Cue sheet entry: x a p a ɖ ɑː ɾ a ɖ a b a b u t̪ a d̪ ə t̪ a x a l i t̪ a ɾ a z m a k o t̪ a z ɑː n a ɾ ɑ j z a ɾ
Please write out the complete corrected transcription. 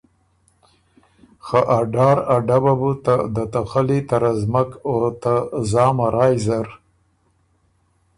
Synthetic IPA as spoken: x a ʔ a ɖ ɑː ɾ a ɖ a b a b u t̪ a d̪ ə t̪ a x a l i t̪ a ɾ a z m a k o t̪ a z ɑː m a ɾ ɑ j z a ɾ